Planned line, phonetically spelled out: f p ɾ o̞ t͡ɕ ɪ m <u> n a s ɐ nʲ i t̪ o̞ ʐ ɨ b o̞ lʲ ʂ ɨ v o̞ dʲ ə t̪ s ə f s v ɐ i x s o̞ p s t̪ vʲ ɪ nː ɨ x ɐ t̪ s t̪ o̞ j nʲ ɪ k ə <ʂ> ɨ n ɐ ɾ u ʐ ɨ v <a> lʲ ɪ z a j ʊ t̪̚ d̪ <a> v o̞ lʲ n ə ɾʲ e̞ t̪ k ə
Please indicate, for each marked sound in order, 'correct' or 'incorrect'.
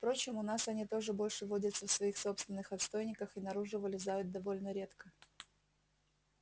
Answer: incorrect: ʊ, incorrect: x, incorrect: ə, incorrect: ɐ

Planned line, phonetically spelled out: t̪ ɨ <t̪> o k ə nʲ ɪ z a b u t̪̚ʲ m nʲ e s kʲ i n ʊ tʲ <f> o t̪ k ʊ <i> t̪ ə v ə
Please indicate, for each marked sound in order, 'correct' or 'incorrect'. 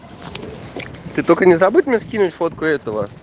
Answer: correct, correct, incorrect: ɛ

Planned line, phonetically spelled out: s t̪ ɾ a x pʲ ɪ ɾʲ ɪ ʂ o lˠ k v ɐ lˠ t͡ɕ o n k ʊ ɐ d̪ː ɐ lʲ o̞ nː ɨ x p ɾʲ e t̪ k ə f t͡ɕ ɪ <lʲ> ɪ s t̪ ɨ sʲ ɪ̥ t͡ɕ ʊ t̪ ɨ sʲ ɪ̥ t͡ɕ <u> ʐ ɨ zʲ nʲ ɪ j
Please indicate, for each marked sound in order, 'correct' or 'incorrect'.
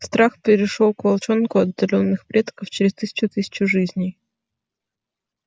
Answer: incorrect: ɾʲ, incorrect: ʊ

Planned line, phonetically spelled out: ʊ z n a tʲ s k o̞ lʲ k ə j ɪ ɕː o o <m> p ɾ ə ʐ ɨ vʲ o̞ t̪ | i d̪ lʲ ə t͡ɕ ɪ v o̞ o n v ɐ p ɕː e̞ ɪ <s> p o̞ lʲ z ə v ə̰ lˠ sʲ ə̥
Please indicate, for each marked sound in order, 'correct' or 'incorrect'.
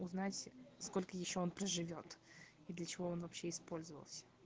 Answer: incorrect: n, correct

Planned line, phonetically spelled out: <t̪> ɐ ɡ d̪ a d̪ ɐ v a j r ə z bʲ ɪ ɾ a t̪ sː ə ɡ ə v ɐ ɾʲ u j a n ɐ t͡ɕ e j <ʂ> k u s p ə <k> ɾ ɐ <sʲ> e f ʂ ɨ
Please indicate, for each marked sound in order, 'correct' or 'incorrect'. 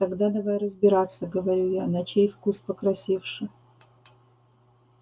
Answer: correct, incorrect: f, correct, correct

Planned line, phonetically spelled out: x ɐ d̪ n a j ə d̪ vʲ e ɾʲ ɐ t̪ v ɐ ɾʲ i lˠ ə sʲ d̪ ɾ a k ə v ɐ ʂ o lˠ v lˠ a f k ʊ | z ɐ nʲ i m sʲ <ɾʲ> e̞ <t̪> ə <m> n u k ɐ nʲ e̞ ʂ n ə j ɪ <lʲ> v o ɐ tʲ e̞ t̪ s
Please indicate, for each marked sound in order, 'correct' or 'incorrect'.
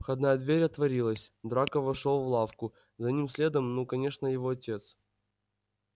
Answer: incorrect: lʲ, incorrect: d̪, correct, incorrect: none

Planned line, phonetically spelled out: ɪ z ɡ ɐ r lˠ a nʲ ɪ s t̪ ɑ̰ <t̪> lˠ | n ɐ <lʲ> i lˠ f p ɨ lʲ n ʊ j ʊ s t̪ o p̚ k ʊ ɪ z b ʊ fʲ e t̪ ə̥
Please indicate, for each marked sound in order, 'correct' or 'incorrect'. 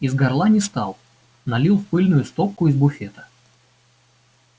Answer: incorrect: none, correct

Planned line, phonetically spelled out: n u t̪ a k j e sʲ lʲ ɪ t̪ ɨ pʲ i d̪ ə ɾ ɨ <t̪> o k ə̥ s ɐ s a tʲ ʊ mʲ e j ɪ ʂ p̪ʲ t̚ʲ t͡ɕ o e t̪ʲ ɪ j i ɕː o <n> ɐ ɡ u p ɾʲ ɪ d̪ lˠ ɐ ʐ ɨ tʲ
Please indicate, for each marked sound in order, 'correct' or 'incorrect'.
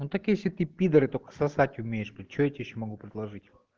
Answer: correct, incorrect: m

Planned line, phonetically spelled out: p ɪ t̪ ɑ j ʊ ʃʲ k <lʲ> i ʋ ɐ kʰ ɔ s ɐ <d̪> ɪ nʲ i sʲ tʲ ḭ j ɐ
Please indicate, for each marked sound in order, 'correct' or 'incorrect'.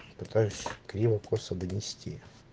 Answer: incorrect: ɾʲ, correct

